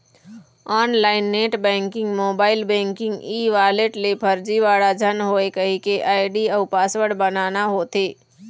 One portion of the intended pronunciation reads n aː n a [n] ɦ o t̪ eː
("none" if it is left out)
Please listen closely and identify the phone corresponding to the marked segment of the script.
none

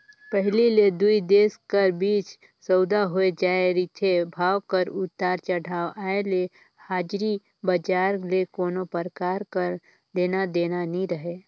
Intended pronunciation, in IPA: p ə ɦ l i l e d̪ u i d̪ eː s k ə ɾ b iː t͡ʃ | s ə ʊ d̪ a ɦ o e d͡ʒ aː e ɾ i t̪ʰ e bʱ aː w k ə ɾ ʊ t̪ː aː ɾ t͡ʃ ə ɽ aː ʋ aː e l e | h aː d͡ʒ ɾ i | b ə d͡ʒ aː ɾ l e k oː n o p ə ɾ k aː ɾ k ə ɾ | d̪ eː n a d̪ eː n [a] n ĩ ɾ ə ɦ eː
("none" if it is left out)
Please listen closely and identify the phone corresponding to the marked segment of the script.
a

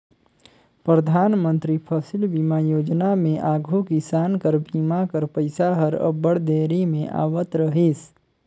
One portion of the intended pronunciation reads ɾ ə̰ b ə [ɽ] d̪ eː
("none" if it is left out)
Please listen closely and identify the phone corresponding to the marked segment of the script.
ɽ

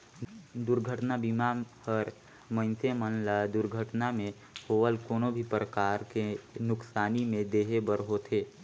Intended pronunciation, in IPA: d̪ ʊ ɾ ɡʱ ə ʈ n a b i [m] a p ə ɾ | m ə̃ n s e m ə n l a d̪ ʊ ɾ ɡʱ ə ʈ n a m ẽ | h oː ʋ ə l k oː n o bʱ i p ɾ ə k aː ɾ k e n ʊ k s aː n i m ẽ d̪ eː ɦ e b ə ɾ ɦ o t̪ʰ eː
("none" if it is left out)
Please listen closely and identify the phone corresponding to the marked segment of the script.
m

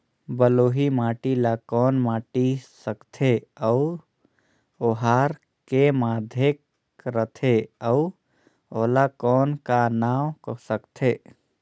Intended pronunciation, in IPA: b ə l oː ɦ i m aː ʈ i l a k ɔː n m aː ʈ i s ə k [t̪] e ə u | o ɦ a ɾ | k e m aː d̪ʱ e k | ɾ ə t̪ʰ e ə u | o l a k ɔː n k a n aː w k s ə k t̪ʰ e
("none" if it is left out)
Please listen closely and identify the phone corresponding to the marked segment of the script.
t̪ʰ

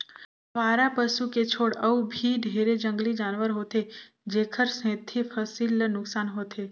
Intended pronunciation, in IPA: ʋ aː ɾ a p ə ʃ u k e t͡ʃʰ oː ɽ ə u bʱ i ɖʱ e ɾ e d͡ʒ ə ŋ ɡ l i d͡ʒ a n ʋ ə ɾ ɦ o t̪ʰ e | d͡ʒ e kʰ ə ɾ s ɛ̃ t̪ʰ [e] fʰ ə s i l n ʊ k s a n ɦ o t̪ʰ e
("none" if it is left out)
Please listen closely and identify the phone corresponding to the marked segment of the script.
i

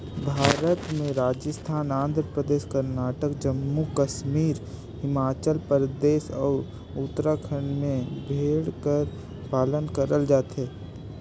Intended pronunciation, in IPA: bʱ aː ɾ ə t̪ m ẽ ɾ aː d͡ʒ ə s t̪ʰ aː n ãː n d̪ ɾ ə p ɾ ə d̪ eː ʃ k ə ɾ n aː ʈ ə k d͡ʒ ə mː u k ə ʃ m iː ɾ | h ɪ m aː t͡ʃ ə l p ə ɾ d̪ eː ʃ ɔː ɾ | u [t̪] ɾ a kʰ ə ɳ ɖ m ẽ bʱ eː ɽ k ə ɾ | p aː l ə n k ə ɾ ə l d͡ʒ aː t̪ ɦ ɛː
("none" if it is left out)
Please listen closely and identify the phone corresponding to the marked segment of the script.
t̪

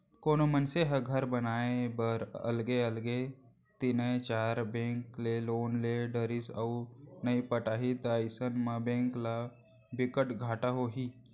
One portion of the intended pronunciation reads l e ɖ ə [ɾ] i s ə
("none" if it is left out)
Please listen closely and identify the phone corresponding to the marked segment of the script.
ɾ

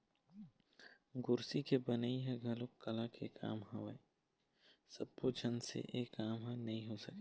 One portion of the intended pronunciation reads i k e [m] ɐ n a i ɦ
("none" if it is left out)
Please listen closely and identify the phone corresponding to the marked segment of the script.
b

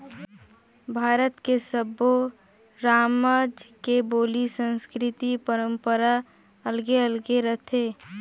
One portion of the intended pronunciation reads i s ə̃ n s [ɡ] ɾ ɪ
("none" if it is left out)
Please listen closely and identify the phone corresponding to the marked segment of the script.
k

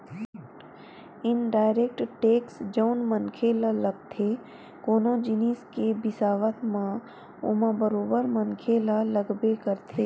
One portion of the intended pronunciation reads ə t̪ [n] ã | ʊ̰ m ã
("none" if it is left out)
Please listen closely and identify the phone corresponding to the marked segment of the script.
m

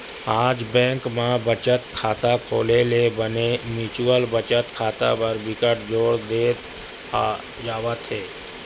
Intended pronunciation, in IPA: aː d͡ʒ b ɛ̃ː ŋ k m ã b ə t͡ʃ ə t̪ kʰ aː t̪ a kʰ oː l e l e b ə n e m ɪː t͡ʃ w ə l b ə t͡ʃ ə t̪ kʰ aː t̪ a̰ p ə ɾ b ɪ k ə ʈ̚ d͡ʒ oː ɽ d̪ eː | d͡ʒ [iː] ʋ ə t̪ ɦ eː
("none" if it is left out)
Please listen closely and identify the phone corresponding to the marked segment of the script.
aː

